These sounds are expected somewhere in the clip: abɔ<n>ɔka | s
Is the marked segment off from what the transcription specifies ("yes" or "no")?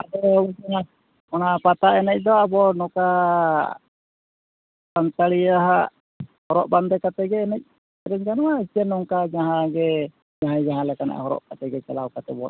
no